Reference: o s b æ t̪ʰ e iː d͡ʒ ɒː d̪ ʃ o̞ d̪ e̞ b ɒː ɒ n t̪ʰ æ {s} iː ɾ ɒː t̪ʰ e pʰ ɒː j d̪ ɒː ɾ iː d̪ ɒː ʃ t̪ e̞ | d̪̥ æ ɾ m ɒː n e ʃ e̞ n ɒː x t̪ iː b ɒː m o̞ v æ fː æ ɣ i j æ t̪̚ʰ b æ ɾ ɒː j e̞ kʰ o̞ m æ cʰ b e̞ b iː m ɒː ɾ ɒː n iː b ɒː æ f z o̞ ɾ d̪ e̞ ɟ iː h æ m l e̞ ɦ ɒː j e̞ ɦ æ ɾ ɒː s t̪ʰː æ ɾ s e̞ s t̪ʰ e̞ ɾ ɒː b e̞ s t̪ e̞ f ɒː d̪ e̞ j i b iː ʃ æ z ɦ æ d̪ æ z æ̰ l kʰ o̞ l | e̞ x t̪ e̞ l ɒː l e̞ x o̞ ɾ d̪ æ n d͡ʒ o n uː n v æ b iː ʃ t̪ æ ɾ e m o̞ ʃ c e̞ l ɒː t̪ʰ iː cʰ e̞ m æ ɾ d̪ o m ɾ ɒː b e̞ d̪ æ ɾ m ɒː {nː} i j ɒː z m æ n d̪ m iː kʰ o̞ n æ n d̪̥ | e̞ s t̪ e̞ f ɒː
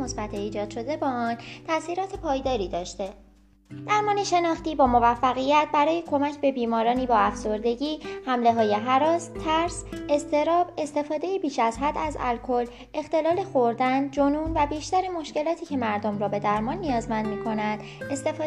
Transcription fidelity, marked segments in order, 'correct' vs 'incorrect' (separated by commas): correct, correct